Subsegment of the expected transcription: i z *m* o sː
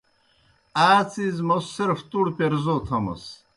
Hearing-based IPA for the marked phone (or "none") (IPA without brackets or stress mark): m